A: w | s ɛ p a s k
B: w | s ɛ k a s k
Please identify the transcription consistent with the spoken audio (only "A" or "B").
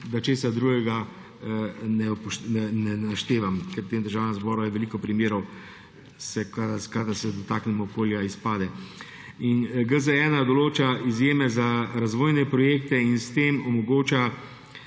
B